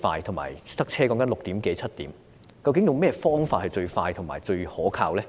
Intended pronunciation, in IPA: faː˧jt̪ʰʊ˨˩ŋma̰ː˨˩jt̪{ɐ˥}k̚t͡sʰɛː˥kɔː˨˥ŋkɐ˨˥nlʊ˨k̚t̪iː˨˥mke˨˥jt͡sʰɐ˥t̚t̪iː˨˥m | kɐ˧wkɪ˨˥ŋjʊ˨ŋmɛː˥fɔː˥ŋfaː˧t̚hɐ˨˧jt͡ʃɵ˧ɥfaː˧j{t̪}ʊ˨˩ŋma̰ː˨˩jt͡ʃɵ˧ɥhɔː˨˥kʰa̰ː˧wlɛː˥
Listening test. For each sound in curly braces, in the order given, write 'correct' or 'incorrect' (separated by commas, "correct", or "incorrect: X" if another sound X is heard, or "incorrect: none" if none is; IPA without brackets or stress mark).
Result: correct, incorrect: t̪ʰ